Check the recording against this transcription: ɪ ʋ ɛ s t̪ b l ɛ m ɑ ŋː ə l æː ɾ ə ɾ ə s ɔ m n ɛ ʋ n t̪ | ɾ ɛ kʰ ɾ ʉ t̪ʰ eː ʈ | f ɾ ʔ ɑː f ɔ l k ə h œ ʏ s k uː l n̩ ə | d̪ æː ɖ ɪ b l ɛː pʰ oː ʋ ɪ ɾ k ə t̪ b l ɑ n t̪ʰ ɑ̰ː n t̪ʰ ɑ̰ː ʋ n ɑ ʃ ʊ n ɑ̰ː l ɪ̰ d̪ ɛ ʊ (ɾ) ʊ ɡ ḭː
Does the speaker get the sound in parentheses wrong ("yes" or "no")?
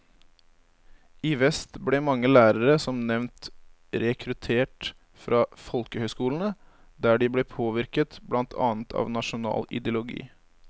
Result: yes